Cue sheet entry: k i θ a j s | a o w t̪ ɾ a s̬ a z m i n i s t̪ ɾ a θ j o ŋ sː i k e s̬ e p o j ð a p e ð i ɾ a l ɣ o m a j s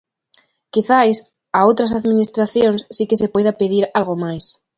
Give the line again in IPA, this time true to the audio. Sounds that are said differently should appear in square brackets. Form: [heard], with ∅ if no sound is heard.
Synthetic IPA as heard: k i θ a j s | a o w t̪ ɾ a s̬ a [ð] m i n i s t̪ ɾ a θ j o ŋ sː i k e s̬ e p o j ð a p e ð i ɾ a l ɣ o m a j s